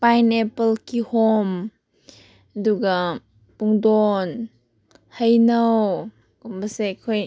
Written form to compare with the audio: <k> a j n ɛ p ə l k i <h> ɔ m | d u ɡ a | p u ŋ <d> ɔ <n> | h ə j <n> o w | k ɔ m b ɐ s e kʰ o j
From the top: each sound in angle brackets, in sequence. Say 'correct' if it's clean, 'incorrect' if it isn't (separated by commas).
incorrect, correct, correct, correct, correct